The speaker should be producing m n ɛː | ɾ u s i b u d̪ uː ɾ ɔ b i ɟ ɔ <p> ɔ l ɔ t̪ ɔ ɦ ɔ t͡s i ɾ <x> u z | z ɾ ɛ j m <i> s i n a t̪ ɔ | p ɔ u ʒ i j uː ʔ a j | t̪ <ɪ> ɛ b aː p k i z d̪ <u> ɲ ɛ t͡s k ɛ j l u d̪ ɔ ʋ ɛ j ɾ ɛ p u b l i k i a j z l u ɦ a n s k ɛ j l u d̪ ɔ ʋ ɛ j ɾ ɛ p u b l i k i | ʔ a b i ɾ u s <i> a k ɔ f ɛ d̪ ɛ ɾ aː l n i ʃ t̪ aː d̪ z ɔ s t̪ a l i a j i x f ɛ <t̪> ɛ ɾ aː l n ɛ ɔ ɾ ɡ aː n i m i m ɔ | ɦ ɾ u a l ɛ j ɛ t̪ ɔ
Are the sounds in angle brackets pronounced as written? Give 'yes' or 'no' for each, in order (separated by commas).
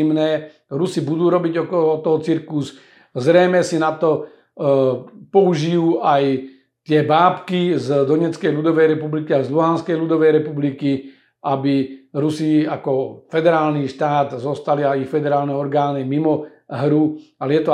no, no, no, yes, no, yes, no